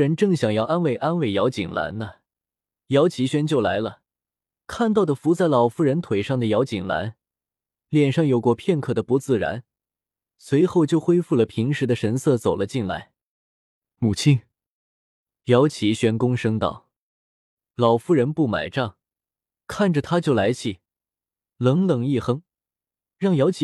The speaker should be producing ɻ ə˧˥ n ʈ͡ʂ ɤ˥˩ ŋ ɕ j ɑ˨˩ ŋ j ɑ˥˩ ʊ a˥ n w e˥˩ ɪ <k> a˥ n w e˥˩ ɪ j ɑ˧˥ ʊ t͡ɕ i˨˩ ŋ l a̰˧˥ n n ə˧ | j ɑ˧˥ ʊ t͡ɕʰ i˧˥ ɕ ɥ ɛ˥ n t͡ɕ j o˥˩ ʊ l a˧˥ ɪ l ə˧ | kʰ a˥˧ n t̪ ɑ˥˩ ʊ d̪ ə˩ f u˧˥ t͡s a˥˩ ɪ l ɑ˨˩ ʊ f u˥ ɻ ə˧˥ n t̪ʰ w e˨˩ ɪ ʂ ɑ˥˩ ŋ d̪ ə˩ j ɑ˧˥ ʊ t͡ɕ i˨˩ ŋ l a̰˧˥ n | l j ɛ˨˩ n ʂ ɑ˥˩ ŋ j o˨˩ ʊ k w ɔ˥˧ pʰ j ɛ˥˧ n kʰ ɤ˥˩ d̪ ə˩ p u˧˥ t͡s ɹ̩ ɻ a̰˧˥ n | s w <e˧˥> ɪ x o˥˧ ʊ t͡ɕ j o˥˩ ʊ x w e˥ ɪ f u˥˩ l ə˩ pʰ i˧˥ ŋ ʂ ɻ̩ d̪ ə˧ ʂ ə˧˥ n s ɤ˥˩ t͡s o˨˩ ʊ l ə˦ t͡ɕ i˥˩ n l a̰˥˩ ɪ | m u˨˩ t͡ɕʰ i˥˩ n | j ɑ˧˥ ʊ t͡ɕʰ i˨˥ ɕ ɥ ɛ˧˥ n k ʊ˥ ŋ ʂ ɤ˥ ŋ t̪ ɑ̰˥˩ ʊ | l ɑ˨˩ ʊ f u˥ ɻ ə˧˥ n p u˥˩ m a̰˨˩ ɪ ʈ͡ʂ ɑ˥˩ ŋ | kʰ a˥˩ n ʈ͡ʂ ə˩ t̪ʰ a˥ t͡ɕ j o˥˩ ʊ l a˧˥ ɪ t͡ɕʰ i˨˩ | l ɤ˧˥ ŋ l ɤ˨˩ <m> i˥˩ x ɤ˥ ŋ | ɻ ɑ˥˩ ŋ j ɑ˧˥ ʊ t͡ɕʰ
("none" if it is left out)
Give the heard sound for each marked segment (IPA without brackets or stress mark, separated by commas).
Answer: ʔ, e˧˥, ŋ